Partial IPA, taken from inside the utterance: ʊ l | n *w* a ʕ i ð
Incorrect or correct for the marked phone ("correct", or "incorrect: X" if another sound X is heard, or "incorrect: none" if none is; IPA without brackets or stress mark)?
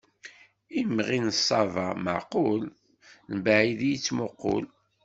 incorrect: b